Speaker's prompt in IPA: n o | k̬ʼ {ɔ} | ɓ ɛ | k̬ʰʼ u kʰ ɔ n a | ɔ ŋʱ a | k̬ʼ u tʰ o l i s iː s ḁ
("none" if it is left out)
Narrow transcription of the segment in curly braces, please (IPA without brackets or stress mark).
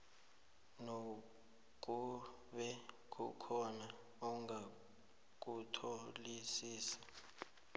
u